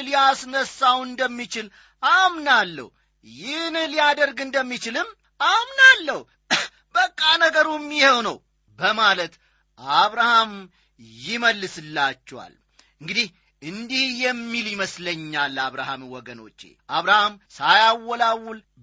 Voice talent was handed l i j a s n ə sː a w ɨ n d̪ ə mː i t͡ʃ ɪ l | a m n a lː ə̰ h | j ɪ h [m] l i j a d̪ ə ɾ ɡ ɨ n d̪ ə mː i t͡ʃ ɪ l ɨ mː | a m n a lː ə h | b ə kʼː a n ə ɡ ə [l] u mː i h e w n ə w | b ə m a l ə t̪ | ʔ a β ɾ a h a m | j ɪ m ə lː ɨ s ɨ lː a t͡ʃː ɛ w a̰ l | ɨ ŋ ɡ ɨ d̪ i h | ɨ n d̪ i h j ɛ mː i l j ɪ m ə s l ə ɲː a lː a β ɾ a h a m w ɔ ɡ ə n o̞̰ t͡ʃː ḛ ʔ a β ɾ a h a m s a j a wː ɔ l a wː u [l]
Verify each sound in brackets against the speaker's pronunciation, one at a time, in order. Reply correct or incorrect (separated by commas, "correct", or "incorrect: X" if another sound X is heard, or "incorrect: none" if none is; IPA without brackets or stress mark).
incorrect: n, incorrect: ɾ, correct